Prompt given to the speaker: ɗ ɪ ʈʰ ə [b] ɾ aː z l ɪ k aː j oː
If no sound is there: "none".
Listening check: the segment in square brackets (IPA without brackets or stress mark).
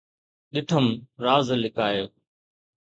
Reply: m